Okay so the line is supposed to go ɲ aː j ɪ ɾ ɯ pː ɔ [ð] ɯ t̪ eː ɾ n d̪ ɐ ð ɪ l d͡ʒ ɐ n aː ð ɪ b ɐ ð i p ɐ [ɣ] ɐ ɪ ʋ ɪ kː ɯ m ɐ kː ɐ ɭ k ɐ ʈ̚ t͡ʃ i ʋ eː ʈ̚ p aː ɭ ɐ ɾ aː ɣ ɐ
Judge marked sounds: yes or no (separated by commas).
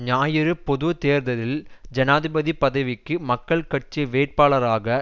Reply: yes, no